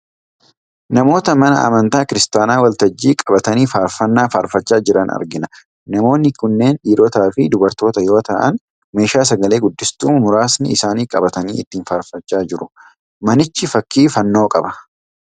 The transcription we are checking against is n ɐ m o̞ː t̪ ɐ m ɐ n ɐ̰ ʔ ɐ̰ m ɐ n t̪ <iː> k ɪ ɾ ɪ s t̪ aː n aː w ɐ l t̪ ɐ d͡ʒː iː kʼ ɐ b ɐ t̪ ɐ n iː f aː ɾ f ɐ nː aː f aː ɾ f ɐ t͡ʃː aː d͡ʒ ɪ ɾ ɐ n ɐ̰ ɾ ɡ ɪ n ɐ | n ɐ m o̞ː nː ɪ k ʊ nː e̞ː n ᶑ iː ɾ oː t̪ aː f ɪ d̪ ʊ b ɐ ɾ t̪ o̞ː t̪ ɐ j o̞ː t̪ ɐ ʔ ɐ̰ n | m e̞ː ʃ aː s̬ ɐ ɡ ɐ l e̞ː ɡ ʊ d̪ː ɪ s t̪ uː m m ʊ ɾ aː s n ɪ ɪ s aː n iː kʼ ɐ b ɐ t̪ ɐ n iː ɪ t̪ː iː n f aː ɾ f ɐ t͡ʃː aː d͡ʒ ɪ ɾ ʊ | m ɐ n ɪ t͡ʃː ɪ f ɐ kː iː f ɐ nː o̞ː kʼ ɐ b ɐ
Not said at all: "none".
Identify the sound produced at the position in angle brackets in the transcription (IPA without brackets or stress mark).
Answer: aː